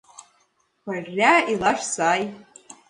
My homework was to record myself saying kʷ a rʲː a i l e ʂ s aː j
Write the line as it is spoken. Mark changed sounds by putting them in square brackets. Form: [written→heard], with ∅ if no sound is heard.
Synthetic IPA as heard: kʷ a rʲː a i l [e→a] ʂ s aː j